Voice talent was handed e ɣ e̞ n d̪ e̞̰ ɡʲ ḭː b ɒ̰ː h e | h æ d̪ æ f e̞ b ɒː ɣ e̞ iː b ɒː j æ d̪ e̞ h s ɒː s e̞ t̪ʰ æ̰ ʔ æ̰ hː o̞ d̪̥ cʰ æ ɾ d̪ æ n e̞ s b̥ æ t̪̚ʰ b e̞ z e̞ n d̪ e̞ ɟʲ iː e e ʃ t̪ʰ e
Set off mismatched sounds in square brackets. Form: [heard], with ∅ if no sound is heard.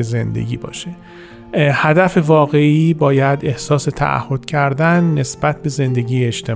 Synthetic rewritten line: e [z] e̞ n d̪ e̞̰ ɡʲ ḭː b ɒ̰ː [ʃ] e | h æ d̪ æ f e̞ [v] ɒː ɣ e̞ iː b ɒː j æ d̪ e̞ h s ɒː s e̞ t̪ʰ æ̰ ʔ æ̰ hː o̞ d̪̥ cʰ æ ɾ d̪ æ [nː] e̞ s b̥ æ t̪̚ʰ b e̞ z e̞ n d̪ e̞ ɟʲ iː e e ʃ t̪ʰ e